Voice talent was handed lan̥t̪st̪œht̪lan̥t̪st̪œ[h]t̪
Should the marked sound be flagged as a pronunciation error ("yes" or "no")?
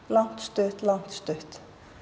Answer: no